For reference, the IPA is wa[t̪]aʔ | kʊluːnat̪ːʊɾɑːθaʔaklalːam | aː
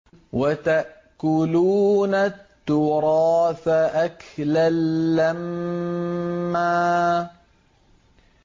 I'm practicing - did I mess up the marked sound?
no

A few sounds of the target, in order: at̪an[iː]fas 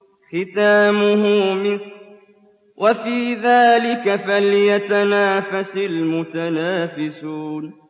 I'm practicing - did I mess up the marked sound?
yes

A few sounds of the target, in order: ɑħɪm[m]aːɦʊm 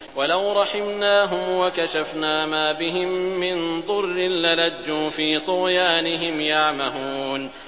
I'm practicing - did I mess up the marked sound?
yes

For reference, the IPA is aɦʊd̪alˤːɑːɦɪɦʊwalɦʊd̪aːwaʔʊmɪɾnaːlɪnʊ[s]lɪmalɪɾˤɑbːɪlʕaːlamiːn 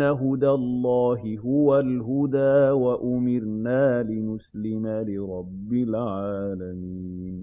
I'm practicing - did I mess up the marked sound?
no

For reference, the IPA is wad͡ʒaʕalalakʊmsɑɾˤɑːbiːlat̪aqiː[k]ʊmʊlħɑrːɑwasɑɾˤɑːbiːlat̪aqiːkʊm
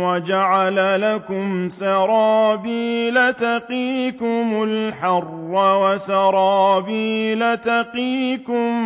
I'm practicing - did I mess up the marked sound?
no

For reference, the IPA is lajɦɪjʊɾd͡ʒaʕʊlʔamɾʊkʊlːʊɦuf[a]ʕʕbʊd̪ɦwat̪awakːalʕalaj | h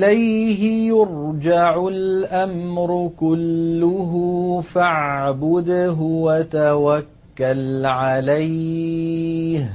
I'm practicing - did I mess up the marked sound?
no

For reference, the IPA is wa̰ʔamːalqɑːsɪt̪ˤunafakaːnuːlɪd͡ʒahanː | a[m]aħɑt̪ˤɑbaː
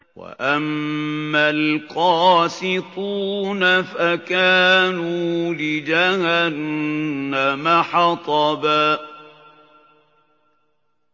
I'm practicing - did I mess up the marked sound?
no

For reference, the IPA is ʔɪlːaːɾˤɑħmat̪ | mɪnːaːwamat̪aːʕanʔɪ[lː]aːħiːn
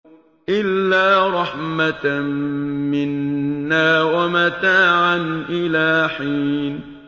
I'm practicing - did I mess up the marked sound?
yes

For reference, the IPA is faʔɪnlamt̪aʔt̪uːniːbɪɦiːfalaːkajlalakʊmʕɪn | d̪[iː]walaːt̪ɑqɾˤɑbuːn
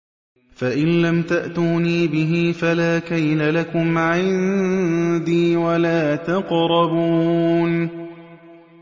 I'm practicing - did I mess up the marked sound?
no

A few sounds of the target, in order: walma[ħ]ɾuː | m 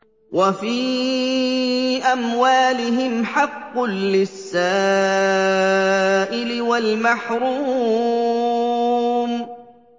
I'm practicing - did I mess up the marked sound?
no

